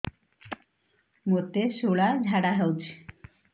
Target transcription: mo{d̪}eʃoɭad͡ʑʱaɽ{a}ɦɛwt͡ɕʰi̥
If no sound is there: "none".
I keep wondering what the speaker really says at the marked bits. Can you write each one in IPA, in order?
t̪, a

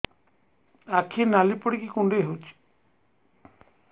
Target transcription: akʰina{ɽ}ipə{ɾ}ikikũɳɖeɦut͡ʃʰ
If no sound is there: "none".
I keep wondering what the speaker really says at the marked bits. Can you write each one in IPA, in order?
l, ɽ

